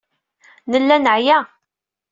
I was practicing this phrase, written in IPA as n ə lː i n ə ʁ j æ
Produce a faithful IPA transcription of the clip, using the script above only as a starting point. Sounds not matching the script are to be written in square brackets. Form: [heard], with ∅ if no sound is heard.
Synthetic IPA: n ə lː [æ] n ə [ʕ] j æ

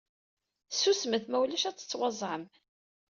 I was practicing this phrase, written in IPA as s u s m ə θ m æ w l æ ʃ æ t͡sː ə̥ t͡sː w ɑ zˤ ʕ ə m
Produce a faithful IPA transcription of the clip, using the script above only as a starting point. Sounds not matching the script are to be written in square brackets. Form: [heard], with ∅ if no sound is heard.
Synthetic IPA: s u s m ə θ m æ w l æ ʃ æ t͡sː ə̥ t͡sː w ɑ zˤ ʕ ə m

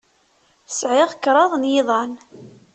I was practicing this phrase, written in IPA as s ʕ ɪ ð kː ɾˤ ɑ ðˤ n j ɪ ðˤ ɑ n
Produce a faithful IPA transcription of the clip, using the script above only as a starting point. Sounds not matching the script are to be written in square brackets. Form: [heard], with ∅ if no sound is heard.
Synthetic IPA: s ʕ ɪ [ʁ] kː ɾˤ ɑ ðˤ n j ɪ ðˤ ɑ n

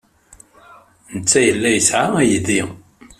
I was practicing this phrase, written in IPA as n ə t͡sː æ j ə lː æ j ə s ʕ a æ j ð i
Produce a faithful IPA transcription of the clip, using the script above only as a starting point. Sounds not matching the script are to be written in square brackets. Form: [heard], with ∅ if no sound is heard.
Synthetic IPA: n ə t͡sː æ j ə lː æ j ə s ʕ a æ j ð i

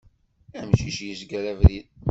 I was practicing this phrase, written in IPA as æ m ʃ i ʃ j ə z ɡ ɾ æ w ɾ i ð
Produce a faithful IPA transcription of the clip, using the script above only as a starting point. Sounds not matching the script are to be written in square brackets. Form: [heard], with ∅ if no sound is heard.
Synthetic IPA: æ m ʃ i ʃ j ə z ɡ ɾ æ [v] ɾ i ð

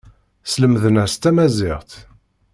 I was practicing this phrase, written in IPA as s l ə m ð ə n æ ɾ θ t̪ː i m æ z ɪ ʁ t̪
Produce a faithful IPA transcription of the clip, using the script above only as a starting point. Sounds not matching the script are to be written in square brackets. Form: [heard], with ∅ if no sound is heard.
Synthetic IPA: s l ə m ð ə n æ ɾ [s] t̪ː [æ] m æ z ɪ ʁ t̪

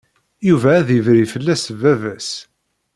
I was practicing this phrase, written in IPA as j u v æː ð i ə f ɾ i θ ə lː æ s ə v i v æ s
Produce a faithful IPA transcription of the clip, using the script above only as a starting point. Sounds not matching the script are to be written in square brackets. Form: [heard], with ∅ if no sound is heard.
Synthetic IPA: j u v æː ð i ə [v] ɾ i [f] ə lː æ s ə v [æ] v æ s

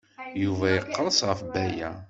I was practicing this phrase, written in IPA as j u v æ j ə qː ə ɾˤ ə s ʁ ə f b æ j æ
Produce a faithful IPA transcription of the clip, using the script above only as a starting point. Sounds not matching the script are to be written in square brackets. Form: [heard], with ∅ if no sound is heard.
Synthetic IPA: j u v æ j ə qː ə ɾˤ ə s ʁ ə f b æ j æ

